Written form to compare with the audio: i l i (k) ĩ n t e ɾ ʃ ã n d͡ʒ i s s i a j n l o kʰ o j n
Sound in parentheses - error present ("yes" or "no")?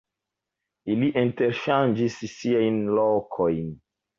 yes